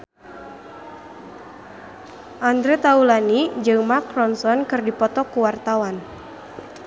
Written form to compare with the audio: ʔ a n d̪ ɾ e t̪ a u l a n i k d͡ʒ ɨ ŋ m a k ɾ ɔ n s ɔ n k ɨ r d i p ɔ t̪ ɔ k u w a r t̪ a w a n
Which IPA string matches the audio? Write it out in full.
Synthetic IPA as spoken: ʔ a n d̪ ɾ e t̪ a u l a n i d͡ʒ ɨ ŋ m a k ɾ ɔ n s ɔ n k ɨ r d i p ɔ t̪ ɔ k u w a r t̪ a w a n

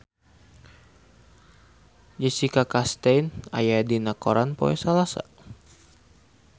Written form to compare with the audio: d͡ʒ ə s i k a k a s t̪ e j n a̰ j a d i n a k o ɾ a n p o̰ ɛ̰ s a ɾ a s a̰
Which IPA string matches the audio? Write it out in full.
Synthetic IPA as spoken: d͡ʒ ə s i k a k a s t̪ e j n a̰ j a d i n a k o ɾ a n p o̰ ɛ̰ s a l a s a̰

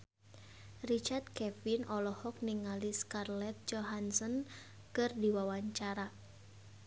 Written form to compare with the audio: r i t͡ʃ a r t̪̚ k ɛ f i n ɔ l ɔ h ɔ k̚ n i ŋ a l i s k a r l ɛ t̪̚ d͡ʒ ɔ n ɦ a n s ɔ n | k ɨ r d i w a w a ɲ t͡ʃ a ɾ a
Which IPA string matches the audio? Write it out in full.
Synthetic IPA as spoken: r i t͡ʃ a r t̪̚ k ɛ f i n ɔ l ɔ h ɔ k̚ n i ŋ a l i s k a r l ɛ t̪̚ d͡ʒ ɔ ɦ a n s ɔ n | k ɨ r d i w a w a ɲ t͡ʃ a ɾ a

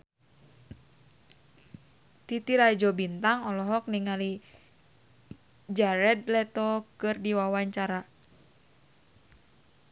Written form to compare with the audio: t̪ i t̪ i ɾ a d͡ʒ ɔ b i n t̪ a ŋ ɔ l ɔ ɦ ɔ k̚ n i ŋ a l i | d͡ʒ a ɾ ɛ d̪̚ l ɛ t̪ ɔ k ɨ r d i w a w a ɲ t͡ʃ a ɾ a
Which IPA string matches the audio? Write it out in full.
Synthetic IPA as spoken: t̪ i t̪ i ɾ a d͡ʒ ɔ b i n t̪ a ŋ ɔ l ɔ ɦ ɔ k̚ n i ŋ a l i | d͡ʒ a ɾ ɛ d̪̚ l ɛ t̪ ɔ k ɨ r d i w a w a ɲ t͡ʃ a ɾ a

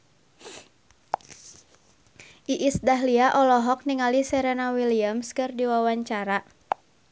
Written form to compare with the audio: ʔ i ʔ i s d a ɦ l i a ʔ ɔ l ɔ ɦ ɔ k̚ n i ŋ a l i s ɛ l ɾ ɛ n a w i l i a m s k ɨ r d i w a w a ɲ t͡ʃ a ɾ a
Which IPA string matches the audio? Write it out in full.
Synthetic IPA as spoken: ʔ i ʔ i s d a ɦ l i a ʔ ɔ l ɔ ɦ ɔ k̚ n i ŋ a l i s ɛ ɾ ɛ n a w i l i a m s k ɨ r d i w a w a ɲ t͡ʃ a ɾ a

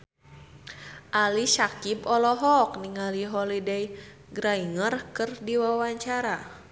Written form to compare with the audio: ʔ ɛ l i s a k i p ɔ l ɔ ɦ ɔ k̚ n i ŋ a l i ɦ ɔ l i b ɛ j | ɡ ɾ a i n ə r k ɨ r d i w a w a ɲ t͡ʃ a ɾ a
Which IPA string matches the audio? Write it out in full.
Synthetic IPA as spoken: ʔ a l i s a k i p ɔ l ɔ ɦ ɔ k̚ n i ŋ a l i ɦ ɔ l i d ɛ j | ɡ ɾ a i ŋ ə r k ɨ r d i w a w a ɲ t͡ʃ a ɾ a

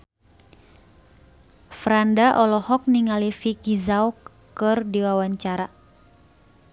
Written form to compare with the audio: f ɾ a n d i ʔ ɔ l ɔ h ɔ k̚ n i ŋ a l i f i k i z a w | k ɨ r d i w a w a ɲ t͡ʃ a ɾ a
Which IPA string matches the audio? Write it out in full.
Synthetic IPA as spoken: f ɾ a n d a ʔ ɔ l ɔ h ɔ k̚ n i ŋ a l i f i k i z a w | k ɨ r d i w a w a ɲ t͡ʃ a ɾ a

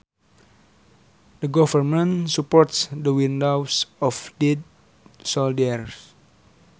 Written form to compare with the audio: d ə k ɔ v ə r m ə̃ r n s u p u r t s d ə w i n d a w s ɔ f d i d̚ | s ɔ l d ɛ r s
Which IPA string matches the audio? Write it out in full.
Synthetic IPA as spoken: d ə ɡ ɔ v ə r m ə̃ n s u p ɔ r t s d ə w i n d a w s ɔ f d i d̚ | s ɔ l d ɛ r s

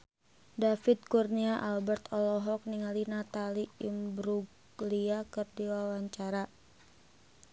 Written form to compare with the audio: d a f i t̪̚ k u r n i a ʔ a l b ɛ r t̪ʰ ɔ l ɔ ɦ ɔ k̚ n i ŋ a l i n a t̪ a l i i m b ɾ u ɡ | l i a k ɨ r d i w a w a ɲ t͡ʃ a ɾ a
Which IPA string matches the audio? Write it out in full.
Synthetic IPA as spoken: d a f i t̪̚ k u r n i a ʔ a l b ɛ r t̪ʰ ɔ l ɔ ɦ ɔ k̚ n i ŋ a l i n a t̪ a l i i m b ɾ u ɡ | l i a k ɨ r d i w a w a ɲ t͡ʃ a ɾ a

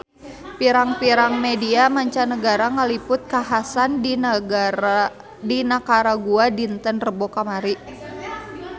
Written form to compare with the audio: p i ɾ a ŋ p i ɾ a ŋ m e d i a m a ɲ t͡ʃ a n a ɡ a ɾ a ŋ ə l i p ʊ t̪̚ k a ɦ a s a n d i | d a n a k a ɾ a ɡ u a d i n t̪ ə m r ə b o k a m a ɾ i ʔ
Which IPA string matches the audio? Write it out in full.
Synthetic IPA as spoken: p i ɾ a ŋ p i ɾ a ŋ m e d i a m a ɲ t͡ʃ a n ə ɡ a ɾ a ŋ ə l i p ʊ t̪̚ k a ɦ a s a n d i | d i n a k a ɾ a ɡ u a d i n t̪ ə n r ə b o k a m a ɾ i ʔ

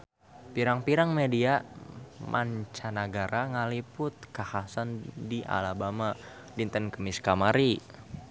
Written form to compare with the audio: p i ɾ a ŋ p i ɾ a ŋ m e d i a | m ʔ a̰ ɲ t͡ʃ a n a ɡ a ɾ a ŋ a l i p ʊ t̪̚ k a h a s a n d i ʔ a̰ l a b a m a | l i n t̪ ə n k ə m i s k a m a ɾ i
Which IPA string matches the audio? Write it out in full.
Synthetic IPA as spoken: p i ɾ a ŋ p i ɾ a ŋ m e d i a | m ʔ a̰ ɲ t͡ʃ a n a ɡ a ɾ a ŋ a l i p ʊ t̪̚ k a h a s a n d i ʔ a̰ l a b a m a | l i n t̪ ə n k ə m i s k a m a ɾ i

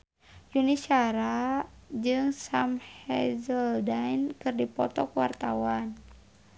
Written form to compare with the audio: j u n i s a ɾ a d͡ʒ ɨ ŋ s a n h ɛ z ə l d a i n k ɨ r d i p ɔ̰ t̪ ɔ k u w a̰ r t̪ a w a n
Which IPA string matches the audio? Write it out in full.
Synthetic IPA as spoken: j u n i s a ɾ a d͡ʒ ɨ ŋ s a m h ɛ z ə l d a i n k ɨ r d i p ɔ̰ t̪ ɔ k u w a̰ r t̪ a w a n

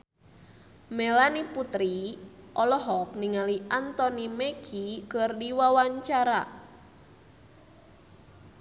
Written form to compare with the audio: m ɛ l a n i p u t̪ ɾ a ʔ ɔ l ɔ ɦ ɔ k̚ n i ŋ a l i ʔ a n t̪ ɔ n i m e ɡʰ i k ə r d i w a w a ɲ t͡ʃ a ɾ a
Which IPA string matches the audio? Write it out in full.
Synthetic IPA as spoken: m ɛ l a n i p u t̪ ɾ i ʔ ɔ l ɔ ɦ ɔ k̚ n i ŋ a l i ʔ a n t̪ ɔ n i m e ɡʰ i k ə r d i w a w a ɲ t͡ʃ a ɾ a

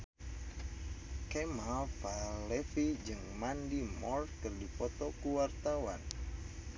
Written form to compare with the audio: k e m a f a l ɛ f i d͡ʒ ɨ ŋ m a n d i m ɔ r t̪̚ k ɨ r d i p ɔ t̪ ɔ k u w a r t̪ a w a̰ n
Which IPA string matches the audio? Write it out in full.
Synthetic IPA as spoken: k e m a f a l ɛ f i d͡ʒ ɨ ŋ m a n d i m ɔ r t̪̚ k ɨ r d i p ɔ t̪ ɔ k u w a r t̪ a w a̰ n

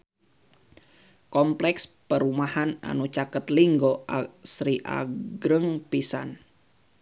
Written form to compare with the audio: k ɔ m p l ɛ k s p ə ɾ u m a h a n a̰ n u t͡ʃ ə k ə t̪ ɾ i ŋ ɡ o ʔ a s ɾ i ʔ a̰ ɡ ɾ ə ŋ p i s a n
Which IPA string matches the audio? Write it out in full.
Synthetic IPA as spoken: k ɔ m p l ɛ k s p ə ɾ u m a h a n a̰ n u t͡ʃ a k ə t̪ l i ŋ ɡ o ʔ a s ɾ i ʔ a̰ ɡ ɾ ə ŋ p i s a n

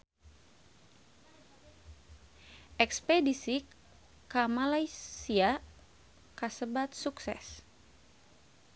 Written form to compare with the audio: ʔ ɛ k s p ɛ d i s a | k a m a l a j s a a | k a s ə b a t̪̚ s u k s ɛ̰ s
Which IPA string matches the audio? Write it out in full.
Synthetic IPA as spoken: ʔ ɛ k s p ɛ d i s i | k a m a l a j s i a | k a s ə b a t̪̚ s u k s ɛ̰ s

